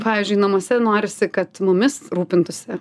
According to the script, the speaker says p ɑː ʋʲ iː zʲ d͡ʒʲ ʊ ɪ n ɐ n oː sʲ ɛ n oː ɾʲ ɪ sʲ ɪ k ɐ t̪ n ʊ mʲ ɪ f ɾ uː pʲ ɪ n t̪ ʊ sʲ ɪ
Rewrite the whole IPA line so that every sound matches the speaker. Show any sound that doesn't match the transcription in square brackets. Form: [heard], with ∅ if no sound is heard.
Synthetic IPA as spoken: p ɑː ʋʲ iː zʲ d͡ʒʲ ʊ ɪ n ɐ [m] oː sʲ ɛ n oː ɾʲ ɪ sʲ ɪ k ɐ t̪ [m] ʊ mʲ ɪ [s] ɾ uː pʲ ɪ n t̪ ʊ sʲ ɪ